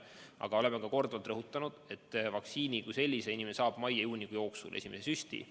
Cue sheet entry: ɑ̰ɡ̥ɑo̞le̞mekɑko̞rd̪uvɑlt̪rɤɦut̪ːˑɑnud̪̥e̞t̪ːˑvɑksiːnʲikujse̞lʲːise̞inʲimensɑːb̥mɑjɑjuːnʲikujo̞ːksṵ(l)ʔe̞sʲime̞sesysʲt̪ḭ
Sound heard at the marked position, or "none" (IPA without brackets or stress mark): l